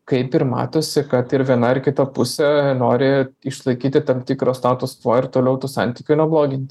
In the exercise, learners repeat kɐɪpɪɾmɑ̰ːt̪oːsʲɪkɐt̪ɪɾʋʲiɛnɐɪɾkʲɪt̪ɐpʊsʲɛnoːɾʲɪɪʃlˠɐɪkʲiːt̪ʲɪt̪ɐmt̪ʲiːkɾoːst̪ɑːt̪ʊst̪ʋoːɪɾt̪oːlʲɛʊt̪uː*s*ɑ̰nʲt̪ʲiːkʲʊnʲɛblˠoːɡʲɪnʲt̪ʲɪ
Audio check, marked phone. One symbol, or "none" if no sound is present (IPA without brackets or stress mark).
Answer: s